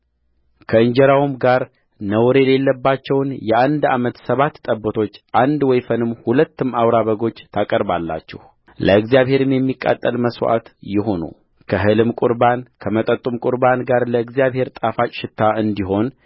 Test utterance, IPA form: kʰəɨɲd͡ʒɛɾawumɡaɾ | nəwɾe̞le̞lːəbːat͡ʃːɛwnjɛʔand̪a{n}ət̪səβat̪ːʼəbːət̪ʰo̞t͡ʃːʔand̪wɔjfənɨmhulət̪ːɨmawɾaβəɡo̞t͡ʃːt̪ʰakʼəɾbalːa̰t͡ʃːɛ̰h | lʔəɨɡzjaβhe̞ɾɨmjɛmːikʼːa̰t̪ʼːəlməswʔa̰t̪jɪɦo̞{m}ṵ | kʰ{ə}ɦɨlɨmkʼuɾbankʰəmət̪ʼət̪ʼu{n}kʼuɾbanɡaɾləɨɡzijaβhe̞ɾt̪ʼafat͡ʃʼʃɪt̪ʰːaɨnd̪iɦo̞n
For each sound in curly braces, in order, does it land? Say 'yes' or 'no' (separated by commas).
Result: no, no, yes, no